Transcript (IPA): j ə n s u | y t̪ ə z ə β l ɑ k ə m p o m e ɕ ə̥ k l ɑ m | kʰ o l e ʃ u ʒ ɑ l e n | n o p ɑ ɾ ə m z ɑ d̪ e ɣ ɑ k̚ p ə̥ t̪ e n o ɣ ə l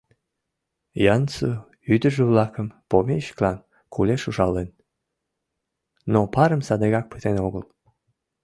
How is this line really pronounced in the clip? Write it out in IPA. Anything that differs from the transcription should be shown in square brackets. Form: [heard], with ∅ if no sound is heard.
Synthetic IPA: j [ɑ] n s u | y [d̪] ə [ʒ] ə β l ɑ k ə m p o m e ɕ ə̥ k l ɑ [n] | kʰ [u] l e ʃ u ʒ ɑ l e n | n o p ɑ ɾ ə m [s] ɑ d̪ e ɣ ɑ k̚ p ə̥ t̪ e n o ɣ ə l

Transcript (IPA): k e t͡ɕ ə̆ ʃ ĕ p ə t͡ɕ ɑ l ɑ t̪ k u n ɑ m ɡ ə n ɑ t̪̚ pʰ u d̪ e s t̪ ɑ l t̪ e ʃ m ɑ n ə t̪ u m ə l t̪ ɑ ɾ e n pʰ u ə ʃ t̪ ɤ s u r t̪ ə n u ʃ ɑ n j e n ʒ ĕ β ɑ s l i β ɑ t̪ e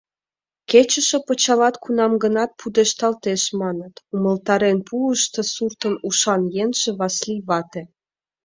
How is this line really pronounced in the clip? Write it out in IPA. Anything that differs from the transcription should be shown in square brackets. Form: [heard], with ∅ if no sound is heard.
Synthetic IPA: k e t͡ɕ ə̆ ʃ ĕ p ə t͡ɕ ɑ l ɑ t̪ k u n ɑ m ɡ ə n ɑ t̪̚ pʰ u d̪ e [ʃ] t̪ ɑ l t̪ e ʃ m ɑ n ə t̪ u m ə l t̪ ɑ ɾ e n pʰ u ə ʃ t̪ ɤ s u r t̪ ə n u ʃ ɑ n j e n ʒ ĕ β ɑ s l i β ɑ t̪ e

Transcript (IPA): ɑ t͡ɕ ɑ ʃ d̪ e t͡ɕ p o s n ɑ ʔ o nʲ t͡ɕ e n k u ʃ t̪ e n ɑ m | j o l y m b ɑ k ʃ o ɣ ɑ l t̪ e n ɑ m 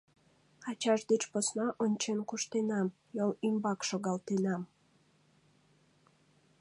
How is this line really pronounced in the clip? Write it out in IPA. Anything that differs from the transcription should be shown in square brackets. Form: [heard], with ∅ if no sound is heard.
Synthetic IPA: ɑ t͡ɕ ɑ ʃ d̪ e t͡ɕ p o s n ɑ ʔ o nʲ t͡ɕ e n k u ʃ t̪ e n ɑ m | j o l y m b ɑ k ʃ o ɣ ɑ l t̪ e n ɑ m

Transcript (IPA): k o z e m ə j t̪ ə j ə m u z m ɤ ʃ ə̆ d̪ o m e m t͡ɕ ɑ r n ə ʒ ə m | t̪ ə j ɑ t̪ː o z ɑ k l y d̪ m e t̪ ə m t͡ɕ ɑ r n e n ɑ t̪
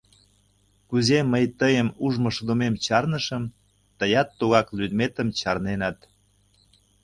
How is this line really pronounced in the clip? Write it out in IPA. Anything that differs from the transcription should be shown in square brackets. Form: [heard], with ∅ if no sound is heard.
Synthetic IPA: k [u] z e m ə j t̪ ə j ə m u [ʒ] m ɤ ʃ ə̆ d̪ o m e m t͡ɕ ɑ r n ə [ʃ] ə m | t̪ ə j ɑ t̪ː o [ɣ] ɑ k l y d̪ m e t̪ ə m t͡ɕ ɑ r n e n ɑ t̪

